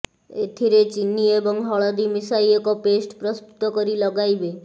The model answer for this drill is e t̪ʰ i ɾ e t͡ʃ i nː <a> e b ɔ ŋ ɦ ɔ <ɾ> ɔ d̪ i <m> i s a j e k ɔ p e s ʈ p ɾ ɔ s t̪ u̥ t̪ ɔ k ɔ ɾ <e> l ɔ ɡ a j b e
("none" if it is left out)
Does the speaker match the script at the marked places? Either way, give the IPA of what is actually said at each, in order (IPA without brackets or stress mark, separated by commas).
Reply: i, ɭ, m, i